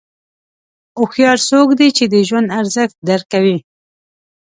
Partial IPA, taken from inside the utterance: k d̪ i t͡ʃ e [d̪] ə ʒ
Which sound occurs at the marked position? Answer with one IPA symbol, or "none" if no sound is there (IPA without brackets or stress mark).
d̪